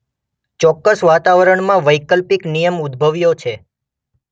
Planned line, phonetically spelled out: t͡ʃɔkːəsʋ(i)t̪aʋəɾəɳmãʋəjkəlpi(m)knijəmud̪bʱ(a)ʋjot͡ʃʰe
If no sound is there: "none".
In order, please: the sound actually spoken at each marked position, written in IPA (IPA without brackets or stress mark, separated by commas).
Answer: a, none, ə